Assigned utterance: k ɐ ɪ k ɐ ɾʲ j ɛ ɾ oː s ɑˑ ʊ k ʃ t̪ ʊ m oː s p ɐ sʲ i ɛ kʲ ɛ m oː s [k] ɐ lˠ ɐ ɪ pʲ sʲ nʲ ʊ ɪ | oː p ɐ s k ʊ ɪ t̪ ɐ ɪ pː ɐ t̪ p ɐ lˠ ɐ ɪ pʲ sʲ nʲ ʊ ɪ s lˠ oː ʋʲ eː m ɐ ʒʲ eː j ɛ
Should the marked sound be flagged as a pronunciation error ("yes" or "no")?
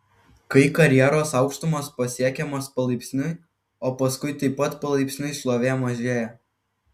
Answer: yes